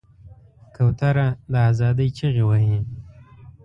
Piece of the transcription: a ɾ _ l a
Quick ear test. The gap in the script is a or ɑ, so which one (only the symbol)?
a